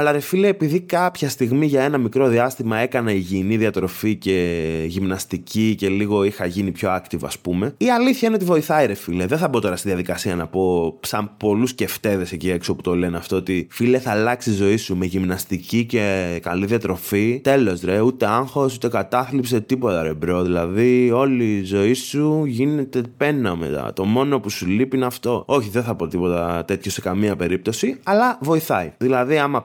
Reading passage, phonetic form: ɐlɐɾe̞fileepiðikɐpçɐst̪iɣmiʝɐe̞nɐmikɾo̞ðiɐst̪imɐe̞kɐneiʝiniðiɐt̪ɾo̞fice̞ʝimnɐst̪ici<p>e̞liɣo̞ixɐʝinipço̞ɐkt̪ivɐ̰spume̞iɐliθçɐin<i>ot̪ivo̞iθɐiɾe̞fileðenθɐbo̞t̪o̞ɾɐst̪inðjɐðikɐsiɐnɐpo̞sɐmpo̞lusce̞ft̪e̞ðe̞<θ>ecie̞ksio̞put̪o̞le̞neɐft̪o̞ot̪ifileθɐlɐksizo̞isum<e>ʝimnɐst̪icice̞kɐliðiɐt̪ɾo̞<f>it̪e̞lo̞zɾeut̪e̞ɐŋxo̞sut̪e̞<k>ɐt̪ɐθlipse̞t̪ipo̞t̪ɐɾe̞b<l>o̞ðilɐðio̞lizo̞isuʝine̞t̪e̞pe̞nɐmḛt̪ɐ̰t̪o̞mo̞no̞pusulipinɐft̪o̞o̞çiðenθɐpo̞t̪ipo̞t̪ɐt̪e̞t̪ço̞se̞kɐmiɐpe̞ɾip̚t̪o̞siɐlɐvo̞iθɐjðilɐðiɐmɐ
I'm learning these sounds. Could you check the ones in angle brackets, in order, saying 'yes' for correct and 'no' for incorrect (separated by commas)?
no, no, no, yes, yes, yes, no